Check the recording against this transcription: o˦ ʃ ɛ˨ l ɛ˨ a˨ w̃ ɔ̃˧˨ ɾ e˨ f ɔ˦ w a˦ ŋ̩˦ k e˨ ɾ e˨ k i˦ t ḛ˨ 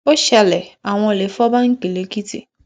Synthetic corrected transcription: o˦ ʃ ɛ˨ l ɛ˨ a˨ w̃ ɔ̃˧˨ l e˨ f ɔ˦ b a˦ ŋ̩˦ k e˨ l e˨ k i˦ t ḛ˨